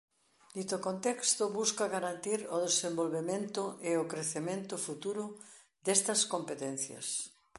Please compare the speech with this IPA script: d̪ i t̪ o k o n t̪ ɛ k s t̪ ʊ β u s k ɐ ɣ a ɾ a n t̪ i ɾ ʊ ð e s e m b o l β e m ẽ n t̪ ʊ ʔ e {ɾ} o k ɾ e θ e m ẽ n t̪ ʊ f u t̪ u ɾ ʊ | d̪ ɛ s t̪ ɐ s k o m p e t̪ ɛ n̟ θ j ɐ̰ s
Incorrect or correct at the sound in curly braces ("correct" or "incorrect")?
incorrect